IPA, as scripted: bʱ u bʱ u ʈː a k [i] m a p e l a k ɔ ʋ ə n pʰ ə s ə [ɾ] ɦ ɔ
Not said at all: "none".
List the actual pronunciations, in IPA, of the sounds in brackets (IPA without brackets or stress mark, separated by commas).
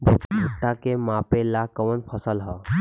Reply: e, l